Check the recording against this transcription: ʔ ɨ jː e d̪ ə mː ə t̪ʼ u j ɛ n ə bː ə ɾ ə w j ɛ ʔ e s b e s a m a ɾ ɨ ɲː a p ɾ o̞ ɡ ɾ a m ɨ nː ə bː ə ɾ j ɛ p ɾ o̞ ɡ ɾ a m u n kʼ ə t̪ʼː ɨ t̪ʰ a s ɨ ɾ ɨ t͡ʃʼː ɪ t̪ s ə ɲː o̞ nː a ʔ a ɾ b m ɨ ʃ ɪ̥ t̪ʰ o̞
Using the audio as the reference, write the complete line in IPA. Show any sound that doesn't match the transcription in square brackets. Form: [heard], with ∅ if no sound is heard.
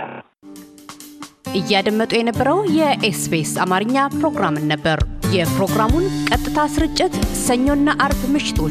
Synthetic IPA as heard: ʔ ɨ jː [a] d̪ ə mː ə t̪ʼ u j ɛ n ə bː ə ɾ ə w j ɛ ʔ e s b e s a m a ɾ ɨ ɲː a p ɾ o̞ ɡ ɾ a m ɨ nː ə bː ə ɾ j ɛ p ɾ o̞ ɡ ɾ a m u n kʼ ə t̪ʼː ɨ t̪ʰ a s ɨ ɾ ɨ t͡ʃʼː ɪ t̪ s ə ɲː o̞ nː a ʔ a ɾ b m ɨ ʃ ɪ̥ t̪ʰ o̞